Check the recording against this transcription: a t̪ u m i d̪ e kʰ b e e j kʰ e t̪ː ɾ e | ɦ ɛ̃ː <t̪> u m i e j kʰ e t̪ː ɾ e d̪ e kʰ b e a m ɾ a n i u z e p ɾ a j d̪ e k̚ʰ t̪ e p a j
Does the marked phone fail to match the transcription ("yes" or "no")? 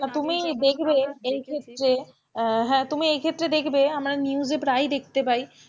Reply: no